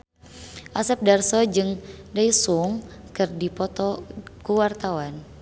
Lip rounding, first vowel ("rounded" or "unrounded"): unrounded